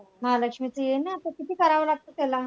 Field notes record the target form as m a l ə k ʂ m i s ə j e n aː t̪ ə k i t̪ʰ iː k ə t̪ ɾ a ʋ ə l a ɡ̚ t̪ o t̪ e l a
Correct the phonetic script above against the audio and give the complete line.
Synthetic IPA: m a l ə k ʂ m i t͡s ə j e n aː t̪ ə k i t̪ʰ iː k ə ɾ a ʋ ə l a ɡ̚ t̪ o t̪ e l a

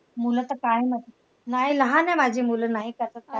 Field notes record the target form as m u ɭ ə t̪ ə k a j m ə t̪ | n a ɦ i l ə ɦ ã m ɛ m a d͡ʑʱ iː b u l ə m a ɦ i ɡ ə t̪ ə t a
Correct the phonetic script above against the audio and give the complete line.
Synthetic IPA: m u l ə t̪ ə k a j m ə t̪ | n a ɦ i l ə ɦ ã n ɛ m a d͡ʑʱ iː m u l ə n a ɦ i k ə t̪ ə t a

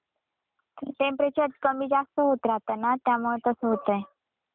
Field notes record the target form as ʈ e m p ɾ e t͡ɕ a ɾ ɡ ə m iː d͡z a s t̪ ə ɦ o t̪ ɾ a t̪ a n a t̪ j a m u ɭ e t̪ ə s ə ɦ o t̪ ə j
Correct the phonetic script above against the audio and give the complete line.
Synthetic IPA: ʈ e m p ɾ e t͡ɕ ə ɾ k ə m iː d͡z a s t̪ ə ɦ o t̪ ɾ a t̪ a n a t̪ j a m u ɭ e t̪ ə s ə ɦ o t̪ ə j

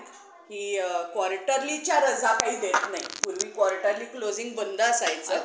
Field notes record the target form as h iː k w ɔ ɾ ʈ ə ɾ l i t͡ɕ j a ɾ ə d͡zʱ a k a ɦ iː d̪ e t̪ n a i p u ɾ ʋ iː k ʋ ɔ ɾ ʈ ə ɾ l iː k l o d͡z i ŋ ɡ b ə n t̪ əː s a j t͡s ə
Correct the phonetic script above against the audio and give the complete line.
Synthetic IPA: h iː k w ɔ ɾ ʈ ə ɾ l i t͡ɕ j a ɾ ə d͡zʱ a k a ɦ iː d̪ e t̪ n a i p u ɾ ʋ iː k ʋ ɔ ɾ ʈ ə ɾ l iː k l o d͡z i ŋ ɡ b ə n d̪ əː s a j t͡s ə

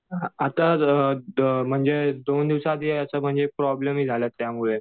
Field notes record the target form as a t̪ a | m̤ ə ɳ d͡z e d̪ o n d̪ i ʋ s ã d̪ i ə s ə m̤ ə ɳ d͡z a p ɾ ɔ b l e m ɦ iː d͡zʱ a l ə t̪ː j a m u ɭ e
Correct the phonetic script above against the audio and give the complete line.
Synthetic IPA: a t̪ a | m̤ ə ɳ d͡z e d̪ o n d̪ i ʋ s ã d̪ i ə s ə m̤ ə ɳ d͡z e p ɾ ɔ b l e m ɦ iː d͡zʱ a l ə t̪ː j a m u ɭ e

